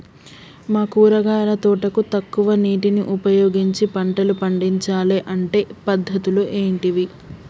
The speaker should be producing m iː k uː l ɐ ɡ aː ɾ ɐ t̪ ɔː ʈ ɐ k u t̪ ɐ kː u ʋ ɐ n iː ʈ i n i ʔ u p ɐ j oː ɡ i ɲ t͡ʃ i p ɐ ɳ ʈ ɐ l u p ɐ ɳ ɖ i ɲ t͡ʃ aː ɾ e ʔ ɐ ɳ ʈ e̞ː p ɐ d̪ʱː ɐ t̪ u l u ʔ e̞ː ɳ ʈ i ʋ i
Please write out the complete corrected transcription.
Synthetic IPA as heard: m aː k uː ɾ ɐ ɡ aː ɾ ɐ t̪ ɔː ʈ ɐ k u t̪ ɐ kː u ʋ ɐ n iː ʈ i n i ʔ u p ɐ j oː ɡ i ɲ t͡ʃ i p ɐ ɳ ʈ ɐ l u p ɐ ɳ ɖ i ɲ t͡ʃ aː l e ʔ ɐ ɳ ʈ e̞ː p ɐ d̪ʱː ɐ t̪ u l u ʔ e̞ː ɳ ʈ i ʋ i

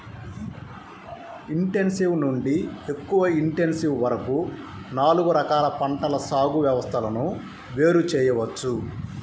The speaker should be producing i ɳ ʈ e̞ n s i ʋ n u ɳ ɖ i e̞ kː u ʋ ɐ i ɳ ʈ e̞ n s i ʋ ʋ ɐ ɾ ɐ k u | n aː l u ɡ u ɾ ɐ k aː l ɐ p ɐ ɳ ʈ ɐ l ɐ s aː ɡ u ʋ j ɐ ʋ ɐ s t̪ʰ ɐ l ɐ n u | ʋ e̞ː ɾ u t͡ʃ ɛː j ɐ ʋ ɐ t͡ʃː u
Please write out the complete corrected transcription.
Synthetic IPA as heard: i ɳ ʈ e̞ n s i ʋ n u ɳ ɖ i e̞ kː u ʋ ɐ i ɳ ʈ e̞ n s i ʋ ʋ ɐ ɾ ɐ k u | n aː l u ɡ u ɾ ɐ k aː l ɐ p ɐ ɳ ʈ ɐ l ɐ s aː ɡ u ʋ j ɐ ʋ ɐ s t̪ʰ ɐ l ɐ n u | ʋ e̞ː ɾ u t͡ʃ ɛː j ɐ ʋ ɐ t͡ʃː u

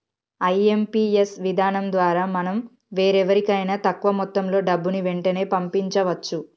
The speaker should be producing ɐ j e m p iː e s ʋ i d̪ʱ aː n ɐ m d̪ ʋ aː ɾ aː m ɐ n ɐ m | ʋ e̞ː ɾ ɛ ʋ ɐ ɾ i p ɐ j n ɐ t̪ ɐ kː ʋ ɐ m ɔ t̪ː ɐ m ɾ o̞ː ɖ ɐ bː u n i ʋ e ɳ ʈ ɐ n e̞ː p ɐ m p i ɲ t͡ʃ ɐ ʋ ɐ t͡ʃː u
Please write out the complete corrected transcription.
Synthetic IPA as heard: ɐ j e m p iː e s ʋ i d̪ʱ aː n ɐ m d̪ ʋ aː ɾ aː m ɐ n ɐ m | ʋ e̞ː ɾ ɛ ʋ ɐ ɾ i k ɐ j n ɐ t̪ ɐ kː ʋ ɐ m ɔ t̪ː ɐ m l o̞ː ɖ ɐ bː u n i ʋ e ɳ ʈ ɐ n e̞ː p ɐ m p i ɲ t͡ʃ ɐ ʋ ɐ t͡ʃː u

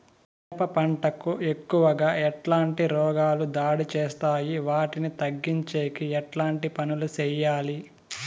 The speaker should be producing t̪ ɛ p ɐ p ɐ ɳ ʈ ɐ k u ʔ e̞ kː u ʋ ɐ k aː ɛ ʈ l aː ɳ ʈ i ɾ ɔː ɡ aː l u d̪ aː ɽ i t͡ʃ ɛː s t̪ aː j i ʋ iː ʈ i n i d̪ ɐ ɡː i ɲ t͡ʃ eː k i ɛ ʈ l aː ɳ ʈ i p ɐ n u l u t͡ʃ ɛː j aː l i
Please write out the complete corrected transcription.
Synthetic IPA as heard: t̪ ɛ p ɐ p ɐ ɳ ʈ ɐ k u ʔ e̞ kː u ʋ ɐ ɡ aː ɛ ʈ l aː ɳ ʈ i ɾ ɔː ɡ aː l u d̪ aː ɽ i t͡ʃ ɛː s t̪ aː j i ʋ aː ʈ i n i t̪ ɐ ɡː i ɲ t͡ʃ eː k i ɛ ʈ l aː ɳ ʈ i p ɐ n u l u t͡ʃ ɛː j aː l i

